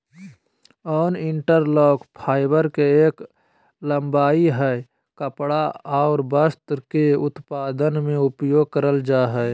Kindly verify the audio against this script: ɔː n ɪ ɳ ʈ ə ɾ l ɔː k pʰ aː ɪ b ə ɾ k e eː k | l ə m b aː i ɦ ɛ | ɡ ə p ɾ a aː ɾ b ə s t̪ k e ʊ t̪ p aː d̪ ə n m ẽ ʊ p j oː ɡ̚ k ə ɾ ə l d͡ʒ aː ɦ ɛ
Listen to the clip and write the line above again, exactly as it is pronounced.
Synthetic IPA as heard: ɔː n ɪ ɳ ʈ ə ɾ l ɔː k pʰ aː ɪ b ə ɾ k e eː k | l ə m b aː i ɦ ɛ | k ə p ɽ a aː ɾ b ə s t̪ k e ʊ t̪ p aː d̪ ə n m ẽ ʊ p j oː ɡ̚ k ə ɾ ə l d͡ʒ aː ɦ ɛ